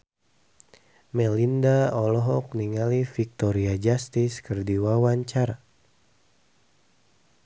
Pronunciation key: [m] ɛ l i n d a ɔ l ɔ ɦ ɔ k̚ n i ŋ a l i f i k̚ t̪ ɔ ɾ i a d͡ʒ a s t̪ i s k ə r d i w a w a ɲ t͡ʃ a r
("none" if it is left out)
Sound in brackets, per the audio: m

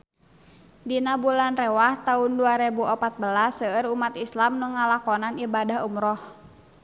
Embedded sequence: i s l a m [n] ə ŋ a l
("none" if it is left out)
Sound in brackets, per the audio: n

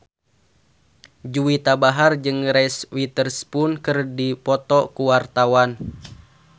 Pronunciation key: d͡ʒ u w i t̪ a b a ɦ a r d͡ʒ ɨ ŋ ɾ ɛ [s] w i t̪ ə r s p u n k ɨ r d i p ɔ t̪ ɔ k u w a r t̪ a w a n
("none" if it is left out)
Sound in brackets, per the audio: s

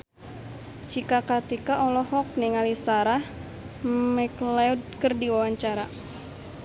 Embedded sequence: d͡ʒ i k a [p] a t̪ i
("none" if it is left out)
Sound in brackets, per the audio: k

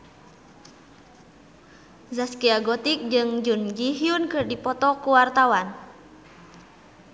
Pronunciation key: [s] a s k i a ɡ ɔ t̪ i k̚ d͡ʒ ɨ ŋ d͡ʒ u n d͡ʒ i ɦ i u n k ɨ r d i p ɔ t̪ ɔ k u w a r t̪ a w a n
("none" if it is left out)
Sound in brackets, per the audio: z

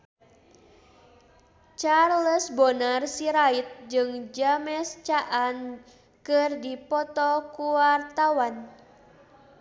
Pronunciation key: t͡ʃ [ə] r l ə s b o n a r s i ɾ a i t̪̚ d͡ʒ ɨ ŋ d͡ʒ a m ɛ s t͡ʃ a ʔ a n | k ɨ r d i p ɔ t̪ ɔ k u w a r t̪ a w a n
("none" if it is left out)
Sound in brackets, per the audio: a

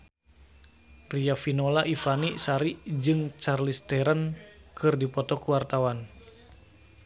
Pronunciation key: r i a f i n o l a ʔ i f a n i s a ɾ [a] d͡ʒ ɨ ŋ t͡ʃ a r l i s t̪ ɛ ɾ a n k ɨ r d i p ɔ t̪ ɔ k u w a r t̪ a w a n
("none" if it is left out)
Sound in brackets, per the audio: i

